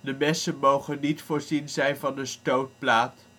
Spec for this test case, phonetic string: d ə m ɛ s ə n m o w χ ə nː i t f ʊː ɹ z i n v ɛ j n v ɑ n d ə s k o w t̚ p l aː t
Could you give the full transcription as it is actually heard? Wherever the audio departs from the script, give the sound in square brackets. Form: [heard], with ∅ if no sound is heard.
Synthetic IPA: d ə m ɛ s ə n m o w χ ə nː i t f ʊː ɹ z i n [z] ɛ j n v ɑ n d ə s [t] o w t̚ p l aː t